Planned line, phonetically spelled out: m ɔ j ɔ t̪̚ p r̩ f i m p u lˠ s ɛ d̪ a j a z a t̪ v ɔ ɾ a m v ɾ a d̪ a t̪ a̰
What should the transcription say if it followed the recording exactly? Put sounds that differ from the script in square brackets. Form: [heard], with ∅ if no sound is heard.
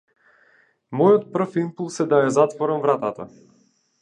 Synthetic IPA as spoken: m ɔ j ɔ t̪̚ p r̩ f i m p u lˠ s ɛ d̪ a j a z a t̪ v ɔ ɾ a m v ɾ a [t̪] a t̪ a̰